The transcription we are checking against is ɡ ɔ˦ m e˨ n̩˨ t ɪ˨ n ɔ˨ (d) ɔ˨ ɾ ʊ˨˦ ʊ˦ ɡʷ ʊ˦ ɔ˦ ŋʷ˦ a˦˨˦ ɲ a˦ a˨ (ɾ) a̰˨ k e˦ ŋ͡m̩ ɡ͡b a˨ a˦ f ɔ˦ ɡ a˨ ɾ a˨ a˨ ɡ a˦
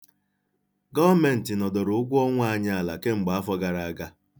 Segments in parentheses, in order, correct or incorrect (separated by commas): correct, incorrect